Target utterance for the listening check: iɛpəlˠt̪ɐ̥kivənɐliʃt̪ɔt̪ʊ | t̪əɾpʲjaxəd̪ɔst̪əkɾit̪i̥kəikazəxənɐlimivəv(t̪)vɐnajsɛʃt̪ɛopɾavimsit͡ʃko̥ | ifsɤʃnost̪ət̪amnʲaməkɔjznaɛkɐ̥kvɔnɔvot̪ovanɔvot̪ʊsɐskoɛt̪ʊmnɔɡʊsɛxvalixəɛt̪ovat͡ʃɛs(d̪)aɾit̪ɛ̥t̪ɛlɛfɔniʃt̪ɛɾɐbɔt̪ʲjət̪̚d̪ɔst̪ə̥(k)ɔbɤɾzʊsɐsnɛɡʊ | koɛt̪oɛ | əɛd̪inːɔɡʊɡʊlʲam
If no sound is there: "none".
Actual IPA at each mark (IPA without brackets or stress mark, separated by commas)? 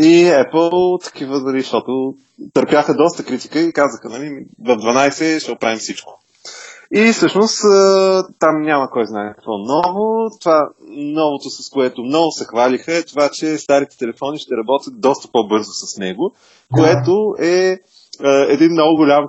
d̪, t̪, p